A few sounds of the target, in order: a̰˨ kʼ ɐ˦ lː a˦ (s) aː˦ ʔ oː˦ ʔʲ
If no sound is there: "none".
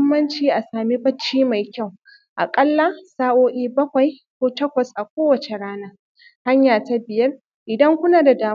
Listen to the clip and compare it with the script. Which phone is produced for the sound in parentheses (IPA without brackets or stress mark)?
s